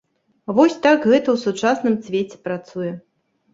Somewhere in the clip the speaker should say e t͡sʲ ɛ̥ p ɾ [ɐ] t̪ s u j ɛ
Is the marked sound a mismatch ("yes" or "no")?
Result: yes